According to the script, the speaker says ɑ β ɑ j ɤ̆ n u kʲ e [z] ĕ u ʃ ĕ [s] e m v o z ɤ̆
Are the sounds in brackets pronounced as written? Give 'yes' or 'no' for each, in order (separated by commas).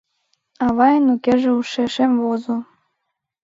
no, no